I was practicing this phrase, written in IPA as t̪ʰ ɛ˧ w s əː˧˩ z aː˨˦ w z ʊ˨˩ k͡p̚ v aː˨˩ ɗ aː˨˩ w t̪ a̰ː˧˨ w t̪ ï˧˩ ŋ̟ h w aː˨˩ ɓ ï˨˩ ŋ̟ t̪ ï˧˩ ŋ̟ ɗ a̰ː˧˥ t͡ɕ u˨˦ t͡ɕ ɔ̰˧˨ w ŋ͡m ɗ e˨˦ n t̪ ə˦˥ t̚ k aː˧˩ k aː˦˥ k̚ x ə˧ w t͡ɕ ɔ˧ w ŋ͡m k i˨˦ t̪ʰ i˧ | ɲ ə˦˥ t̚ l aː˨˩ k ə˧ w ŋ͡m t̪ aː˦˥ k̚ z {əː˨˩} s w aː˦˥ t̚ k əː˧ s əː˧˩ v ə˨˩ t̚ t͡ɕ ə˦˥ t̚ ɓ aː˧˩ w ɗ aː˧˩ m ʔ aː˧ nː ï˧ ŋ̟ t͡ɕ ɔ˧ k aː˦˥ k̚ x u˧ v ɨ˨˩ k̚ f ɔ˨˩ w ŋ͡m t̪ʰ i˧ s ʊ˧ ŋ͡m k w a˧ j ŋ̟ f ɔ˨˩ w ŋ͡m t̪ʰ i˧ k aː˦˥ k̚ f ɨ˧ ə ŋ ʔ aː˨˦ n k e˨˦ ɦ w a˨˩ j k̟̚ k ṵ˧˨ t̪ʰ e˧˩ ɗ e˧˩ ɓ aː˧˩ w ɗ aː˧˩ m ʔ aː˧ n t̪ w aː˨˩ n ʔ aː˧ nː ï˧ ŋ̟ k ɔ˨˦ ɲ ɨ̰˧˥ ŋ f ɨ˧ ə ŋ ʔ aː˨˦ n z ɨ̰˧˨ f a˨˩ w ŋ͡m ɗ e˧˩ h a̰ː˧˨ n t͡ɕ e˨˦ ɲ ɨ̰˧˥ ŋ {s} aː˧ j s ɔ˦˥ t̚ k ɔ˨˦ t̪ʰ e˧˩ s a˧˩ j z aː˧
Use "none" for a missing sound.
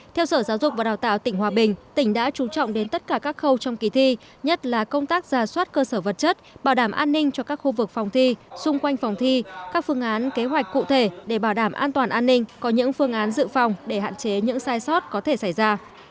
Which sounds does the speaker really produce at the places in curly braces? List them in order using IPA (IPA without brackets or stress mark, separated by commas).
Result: aː˨˩, s